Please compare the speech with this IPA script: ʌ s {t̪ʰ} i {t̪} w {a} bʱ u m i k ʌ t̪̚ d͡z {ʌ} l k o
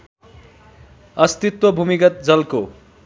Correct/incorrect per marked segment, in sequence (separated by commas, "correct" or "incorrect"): incorrect, correct, incorrect, correct